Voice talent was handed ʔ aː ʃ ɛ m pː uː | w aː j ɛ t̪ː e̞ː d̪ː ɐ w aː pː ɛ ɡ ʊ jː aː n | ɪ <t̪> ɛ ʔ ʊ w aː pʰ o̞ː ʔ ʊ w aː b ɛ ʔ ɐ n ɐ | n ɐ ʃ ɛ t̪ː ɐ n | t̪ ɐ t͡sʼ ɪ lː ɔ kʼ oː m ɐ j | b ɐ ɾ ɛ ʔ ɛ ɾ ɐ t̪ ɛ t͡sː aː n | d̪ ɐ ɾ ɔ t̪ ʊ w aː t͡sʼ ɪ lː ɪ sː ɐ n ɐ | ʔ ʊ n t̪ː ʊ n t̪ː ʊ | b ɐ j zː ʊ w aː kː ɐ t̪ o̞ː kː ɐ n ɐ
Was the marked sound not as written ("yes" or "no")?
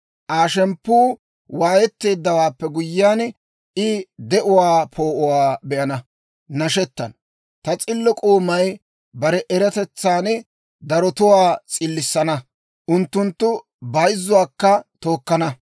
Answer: yes